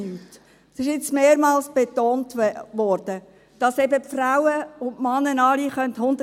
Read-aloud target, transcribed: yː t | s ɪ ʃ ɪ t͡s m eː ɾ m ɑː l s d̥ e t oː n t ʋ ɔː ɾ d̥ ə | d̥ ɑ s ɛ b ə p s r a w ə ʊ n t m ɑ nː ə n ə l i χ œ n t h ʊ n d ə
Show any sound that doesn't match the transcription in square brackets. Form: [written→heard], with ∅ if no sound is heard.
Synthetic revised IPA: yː t | s ɪ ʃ ɪ t͡s m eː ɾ m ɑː l s [d̥→b̥] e t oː n t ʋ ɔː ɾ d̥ ə | d̥ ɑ s ɛ b ə p [s→f] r a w ə ʊ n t m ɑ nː ə n [ə→ɑ] l i χ œ n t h ʊ n d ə